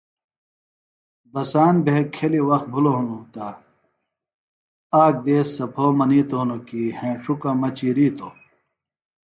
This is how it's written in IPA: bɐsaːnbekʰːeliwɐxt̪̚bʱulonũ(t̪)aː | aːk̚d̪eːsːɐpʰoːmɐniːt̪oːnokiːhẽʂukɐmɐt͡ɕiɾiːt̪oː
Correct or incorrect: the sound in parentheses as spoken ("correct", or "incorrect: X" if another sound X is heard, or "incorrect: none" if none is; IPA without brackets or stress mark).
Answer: correct